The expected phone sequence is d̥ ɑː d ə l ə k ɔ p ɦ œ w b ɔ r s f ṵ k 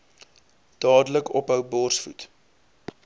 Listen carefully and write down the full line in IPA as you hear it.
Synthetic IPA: d̥ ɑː d ə l ə k ɔ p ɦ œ w b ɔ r s f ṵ t